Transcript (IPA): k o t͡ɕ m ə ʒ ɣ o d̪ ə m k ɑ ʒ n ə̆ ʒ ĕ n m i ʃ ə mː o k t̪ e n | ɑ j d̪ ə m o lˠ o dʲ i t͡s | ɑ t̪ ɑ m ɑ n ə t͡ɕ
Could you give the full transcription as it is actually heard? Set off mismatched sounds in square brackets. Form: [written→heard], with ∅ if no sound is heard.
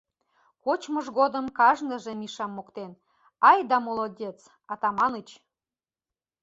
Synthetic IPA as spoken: k o t͡ɕ m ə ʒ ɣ o d̪ ə m k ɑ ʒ n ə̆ ʒ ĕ [n→∅] m i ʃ [ə→ɑ] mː o k t̪ e n | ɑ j d̪ [ə→ɑ] m o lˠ o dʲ [i→e] t͡s | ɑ t̪ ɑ m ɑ n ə t͡ɕ